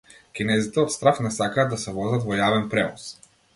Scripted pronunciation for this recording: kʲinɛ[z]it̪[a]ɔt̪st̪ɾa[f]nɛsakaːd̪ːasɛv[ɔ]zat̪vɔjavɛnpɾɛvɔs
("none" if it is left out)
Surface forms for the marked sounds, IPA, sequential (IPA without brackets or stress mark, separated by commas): z, ɛ, f, ɔ